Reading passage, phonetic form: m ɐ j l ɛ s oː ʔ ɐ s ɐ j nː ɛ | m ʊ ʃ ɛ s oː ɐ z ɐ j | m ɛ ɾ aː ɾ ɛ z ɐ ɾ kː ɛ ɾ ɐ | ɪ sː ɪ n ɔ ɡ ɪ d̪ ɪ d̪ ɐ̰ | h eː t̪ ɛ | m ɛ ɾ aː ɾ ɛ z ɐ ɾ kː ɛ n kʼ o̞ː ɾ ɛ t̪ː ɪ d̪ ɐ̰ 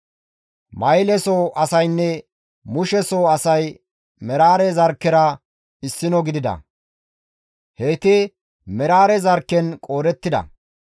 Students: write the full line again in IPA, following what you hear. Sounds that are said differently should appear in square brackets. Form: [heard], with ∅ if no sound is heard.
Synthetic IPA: m ɐ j l ɛ s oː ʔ ɐ s ɐ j nː ɛ | m ʊ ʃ ɛ s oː ɐ [s] ɐ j | m ɛ ɾ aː ɾ ɛ z ɐ ɾ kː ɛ ɾ ɐ | ɪ sː ɪ n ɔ ɡ ɪ d̪ ɪ d̪ ɐ̰ | h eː t̪ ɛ | m ɛ ɾ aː ɾ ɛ z ɐ ɾ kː ɛ n kʼ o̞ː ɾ ɛ t̪ː ɪ d̪ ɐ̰